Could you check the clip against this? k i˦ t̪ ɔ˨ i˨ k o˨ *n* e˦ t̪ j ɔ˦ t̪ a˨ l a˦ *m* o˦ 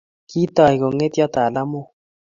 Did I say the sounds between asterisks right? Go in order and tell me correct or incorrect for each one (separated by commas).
incorrect, correct